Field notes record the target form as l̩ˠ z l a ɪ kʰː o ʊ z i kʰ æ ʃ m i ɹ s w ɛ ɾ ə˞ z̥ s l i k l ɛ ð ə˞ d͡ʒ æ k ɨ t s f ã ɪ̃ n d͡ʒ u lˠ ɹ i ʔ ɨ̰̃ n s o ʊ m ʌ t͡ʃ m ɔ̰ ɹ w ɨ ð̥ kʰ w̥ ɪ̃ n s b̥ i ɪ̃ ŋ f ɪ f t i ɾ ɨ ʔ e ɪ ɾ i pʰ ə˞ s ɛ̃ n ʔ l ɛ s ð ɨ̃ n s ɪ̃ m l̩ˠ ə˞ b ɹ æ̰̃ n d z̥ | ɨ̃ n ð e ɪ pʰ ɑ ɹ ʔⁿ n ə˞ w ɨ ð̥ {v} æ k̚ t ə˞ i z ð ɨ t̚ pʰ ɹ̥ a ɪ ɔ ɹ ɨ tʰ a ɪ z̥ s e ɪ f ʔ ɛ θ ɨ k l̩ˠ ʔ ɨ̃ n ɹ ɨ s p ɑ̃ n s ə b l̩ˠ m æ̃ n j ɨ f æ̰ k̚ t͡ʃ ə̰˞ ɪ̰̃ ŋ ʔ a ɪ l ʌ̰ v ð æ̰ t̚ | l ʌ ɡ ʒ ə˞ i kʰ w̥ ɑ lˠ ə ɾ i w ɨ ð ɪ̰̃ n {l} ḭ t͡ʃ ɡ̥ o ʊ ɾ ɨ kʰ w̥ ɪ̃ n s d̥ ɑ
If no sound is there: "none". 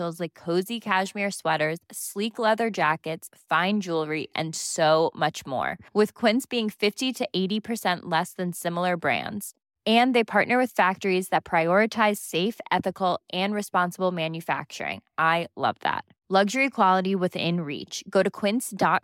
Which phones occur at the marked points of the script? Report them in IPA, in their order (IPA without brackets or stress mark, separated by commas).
f, ɹ